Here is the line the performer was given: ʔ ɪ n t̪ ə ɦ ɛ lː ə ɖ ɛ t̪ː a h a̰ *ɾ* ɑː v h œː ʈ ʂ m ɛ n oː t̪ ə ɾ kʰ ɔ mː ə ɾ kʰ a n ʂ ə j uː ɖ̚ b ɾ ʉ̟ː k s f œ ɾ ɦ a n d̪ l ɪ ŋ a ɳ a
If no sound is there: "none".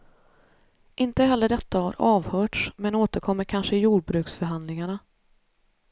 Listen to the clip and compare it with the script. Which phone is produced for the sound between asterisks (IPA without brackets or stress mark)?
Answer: ɾ